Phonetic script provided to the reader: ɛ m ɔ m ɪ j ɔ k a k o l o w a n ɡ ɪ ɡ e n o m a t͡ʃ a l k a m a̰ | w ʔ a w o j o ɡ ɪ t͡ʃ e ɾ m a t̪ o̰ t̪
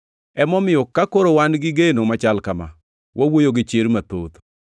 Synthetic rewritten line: ɛ m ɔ m ɪ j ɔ k a k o ɾ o w a n ɡ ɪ ɡ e n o m a t͡ʃ a l k a m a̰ | w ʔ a w o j o ɡ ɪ t͡ʃ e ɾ m a t̪ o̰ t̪